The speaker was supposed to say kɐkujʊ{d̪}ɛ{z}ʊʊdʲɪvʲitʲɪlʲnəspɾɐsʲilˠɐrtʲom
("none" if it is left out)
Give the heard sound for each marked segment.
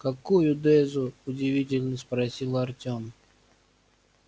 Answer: d̪, z

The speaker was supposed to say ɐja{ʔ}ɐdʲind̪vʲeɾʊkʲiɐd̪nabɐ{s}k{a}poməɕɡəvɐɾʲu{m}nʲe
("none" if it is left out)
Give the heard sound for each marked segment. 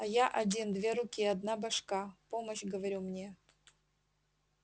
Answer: ʔ, ʂ, a, m

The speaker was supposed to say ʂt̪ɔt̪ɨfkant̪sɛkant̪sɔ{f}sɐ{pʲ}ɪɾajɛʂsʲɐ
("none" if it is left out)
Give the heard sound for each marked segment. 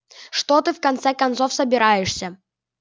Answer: f, bʲ

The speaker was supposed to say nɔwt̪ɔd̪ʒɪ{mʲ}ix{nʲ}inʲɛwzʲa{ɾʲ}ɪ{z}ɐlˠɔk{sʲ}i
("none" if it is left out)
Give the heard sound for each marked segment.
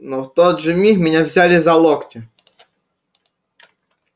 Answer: mʲ, mʲ, lʲ, z, tʲ

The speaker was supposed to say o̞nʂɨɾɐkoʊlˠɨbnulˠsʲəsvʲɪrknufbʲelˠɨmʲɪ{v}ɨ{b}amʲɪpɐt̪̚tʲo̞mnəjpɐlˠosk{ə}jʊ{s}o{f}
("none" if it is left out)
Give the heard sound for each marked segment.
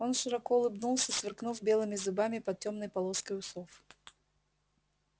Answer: z, b, ə, s, f

